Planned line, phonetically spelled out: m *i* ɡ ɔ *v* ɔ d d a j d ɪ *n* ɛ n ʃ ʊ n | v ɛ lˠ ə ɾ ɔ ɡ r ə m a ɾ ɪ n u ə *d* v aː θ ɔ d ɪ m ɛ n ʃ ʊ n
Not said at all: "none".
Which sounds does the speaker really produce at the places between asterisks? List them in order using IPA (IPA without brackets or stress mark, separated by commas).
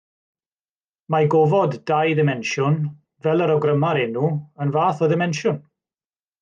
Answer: a, v, m, n